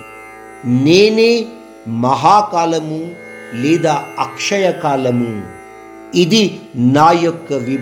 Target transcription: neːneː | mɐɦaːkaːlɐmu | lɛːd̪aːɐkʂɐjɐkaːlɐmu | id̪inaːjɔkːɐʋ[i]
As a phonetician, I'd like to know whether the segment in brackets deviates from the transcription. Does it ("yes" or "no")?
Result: no